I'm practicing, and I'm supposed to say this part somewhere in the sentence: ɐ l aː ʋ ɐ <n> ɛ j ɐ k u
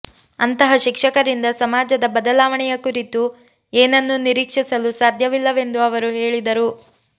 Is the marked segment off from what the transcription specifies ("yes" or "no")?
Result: yes